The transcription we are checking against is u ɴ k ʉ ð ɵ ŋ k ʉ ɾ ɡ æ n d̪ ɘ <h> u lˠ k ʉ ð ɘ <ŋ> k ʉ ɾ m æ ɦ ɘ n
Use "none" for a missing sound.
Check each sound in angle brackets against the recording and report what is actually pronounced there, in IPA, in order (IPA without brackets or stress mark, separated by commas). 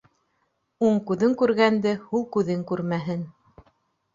h, ŋ